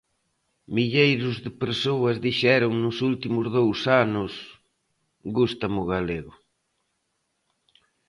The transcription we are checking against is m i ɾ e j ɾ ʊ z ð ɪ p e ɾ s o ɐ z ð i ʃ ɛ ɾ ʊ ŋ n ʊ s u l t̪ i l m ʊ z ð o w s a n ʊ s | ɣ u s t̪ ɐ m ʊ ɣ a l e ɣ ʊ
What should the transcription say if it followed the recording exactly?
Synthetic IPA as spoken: m i ʎ e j ɾ ʊ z ð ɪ p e ɾ s o ɐ z ð i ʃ ɛ ɾ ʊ ŋ n ʊ s u l t̪ i m ʊ z ð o w s a n ʊ s | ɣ u s t̪ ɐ m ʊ ɣ a l e ɣ ʊ